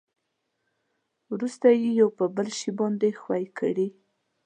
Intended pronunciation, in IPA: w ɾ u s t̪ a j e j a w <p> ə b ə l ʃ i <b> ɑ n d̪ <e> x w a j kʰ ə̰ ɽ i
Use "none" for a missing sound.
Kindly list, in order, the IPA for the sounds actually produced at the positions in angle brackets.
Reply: p, b, e

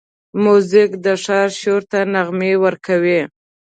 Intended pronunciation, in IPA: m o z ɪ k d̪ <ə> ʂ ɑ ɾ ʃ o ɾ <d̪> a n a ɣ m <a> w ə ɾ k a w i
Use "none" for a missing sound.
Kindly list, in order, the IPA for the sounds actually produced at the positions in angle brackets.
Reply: ə, t̪, e

